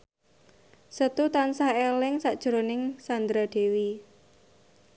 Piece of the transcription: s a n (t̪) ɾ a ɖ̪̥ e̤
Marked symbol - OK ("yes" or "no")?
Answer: no